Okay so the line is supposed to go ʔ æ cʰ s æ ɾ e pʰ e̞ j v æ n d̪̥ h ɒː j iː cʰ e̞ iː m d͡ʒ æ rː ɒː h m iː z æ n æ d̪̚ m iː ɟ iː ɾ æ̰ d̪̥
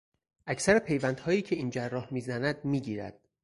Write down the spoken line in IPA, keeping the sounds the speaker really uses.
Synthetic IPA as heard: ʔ æ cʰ s æ ɾ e pʰ e̞ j v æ n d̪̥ h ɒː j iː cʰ e̞ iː n d͡ʒ æ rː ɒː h m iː z æ n æ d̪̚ m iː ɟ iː ɾ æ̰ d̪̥